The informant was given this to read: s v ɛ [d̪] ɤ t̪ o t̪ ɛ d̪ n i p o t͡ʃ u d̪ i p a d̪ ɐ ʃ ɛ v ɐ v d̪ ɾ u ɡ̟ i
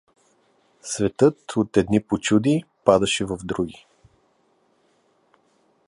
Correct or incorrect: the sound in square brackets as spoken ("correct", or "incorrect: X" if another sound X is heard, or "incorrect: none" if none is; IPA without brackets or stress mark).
incorrect: t̪